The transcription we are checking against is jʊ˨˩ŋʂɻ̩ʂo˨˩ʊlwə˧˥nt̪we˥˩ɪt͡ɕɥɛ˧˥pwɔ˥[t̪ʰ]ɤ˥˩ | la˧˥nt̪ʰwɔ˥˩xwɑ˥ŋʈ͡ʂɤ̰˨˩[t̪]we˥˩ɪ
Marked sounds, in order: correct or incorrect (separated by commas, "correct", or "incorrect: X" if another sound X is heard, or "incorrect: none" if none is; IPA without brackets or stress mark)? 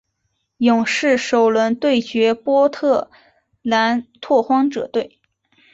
correct, correct